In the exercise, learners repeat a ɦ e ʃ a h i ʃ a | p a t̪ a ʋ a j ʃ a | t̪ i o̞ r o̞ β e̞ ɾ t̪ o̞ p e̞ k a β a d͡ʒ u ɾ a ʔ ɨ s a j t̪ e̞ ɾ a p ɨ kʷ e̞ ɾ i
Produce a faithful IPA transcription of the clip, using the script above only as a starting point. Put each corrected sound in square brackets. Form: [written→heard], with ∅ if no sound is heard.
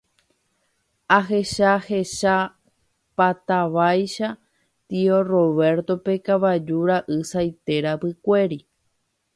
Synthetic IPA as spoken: a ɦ e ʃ a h [i→e] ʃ a | p a t̪ a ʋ a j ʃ a | t̪ i o̞ r o̞ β e̞ ɾ t̪ o̞ p e̞ k a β a d͡ʒ u ɾ a ʔ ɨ s a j t̪ e̞ ɾ a p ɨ kʷ e̞ ɾ i

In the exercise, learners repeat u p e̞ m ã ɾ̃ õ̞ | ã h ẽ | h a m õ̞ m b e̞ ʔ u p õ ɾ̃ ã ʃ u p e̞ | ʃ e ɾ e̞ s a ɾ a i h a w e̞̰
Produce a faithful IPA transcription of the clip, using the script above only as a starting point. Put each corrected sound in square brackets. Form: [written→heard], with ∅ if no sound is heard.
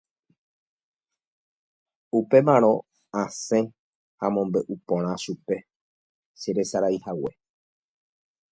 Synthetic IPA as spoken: u p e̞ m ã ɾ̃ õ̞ | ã [h→s] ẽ | h a m õ̞ m b e̞ ʔ u p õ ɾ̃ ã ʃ u p e̞ | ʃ e ɾ e̞ s a ɾ a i h a w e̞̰

